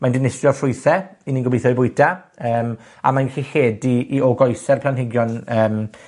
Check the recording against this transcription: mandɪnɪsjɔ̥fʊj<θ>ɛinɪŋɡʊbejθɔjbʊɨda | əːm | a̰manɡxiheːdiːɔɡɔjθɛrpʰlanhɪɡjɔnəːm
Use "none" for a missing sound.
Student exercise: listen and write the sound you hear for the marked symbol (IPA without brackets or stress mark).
θ